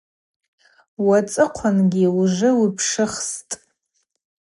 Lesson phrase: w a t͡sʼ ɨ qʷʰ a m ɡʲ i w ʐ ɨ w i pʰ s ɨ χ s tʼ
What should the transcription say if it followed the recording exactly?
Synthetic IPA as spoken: w a t͡sʼ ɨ qʷʰ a n ɡʲ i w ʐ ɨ w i pʰ ʂ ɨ χ s tʼ